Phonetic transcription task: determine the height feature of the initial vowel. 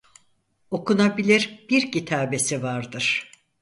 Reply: mid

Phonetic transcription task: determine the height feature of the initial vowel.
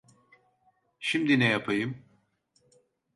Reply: high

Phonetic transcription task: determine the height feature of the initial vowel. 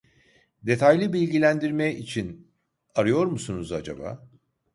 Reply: mid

